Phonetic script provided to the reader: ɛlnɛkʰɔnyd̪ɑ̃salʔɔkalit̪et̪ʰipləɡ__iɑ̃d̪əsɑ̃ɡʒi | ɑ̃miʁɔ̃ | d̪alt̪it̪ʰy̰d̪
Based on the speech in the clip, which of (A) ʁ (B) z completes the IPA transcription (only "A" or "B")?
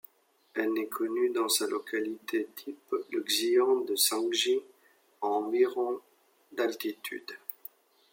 B